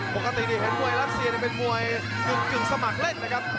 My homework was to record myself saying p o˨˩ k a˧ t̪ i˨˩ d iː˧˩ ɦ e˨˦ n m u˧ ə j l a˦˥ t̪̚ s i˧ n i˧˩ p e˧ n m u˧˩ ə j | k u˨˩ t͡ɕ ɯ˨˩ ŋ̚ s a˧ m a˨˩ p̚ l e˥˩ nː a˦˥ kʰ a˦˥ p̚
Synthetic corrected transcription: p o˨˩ k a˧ t̪ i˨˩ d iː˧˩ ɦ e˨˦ n m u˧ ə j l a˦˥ t̪̚ s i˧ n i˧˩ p e˧ n m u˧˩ ə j | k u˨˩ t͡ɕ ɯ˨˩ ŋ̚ s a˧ m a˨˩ k̚ l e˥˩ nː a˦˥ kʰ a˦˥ p̚